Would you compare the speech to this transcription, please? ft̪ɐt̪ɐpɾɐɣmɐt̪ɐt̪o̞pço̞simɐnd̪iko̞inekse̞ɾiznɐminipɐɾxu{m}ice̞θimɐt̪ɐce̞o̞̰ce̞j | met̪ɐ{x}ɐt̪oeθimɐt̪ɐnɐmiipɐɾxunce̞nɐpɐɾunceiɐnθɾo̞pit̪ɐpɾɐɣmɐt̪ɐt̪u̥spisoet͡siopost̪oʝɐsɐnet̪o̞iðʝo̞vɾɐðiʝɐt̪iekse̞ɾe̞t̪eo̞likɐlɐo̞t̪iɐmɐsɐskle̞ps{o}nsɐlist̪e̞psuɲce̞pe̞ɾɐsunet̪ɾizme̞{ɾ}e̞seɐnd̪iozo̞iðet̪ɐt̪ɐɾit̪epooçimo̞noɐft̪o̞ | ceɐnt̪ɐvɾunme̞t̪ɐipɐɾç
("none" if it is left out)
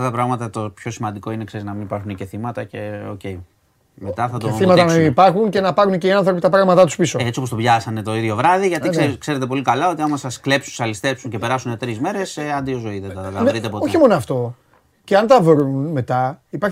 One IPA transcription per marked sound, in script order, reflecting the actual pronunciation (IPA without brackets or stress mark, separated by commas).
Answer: n, θ, u, ɾ